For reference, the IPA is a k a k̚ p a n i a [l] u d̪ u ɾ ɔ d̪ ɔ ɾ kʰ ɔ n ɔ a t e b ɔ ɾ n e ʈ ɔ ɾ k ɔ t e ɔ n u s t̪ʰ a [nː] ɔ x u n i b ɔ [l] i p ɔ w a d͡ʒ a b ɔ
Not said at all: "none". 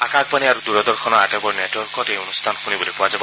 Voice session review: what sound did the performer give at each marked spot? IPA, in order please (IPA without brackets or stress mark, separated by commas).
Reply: ɾ, n, l